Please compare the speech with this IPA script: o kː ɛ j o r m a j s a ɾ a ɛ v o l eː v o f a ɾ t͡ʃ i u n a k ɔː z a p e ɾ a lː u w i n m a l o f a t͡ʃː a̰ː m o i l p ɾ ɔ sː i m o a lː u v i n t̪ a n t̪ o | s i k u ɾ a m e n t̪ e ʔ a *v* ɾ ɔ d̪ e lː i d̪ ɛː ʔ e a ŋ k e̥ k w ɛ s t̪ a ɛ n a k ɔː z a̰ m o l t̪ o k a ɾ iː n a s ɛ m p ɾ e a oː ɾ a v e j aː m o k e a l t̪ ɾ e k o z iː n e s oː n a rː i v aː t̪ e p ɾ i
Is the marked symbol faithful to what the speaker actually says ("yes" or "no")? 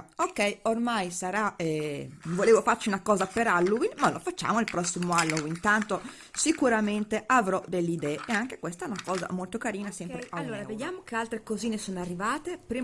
yes